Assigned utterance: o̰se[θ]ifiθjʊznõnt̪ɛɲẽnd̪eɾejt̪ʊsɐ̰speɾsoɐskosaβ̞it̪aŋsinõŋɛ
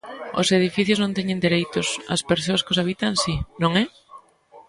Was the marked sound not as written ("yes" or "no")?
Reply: yes